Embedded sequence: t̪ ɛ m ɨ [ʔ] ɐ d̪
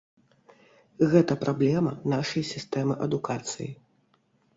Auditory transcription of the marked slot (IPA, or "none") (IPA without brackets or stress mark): ʔ